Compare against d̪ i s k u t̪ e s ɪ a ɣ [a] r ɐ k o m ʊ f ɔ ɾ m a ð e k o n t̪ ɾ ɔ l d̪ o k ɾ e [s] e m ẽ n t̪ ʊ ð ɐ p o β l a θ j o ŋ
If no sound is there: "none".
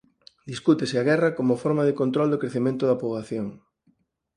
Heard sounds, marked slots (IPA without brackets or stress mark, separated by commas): ɛ, θ